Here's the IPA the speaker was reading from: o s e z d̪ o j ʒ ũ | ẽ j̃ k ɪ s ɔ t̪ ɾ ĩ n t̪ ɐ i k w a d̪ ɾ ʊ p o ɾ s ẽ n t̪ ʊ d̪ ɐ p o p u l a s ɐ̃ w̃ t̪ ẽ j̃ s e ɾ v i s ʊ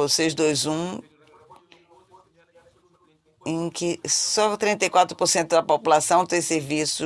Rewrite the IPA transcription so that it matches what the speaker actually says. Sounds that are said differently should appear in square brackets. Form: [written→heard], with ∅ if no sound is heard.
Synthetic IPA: o s e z d̪ o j [ʒ→z] ũ | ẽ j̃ k ɪ s ɔ t̪ ɾ ĩ n t̪ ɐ [i→j] k w a [d̪→t̪] ɾ ʊ p o ɾ s ẽ n t̪ ʊ d̪ ɐ p o p u l a s ɐ̃ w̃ t̪ ẽ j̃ s e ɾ v i s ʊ